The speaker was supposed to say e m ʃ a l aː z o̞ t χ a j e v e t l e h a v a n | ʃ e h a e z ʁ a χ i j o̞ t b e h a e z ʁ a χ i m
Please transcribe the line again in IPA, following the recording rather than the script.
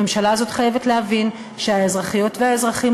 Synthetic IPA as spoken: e m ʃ a l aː z o̞ t χ a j e v e t l e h a v i n | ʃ e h a e z ʁ a χ i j o̞ t v e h a e z ʁ a χ i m